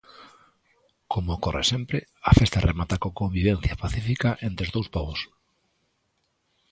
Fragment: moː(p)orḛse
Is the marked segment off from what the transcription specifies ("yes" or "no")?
yes